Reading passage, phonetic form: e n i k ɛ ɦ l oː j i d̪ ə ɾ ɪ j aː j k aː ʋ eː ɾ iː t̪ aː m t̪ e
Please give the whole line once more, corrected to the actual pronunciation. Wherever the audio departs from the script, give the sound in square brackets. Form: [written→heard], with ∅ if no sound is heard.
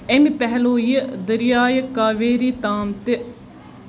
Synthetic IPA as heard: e [n→m] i [k→p] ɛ ɦ l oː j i d̪ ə ɾ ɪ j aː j k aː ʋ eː ɾ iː t̪ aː m t̪ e